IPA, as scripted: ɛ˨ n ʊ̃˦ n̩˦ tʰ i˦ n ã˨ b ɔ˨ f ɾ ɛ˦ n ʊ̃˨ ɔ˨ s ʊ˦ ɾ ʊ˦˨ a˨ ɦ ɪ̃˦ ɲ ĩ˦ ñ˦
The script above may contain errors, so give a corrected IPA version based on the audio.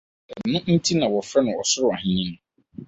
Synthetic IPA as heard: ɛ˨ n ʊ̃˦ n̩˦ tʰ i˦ n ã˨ w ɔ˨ f ɾ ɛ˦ n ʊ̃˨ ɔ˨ s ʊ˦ ɾ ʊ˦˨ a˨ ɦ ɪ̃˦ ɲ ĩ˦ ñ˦